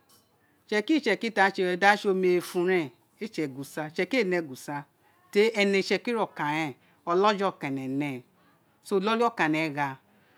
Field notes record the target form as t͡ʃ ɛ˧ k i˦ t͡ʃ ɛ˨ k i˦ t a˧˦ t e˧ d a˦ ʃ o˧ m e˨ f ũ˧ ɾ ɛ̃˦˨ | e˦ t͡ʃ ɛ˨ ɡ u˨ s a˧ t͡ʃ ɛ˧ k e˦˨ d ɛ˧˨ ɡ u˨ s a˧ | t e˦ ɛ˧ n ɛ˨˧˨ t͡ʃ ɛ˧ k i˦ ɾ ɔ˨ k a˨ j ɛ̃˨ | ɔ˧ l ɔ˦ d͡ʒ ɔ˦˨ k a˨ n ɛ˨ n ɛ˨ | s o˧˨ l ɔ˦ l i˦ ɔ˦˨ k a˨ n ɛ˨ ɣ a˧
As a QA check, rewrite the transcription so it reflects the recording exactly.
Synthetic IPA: t͡ʃ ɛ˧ k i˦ t͡ʃ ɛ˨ k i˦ t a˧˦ t͡ʃ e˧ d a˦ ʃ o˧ m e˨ f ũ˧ ɾ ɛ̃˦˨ | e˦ t͡ʃ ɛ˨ ɡ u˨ s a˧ t͡ʃ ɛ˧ k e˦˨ n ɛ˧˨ ɡ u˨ s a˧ | t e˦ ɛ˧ n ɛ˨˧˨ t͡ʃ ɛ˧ k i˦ ɾ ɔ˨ k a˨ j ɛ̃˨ | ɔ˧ l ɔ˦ d͡ʒ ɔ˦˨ k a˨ n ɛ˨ n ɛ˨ | s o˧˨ l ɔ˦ l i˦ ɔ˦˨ k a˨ n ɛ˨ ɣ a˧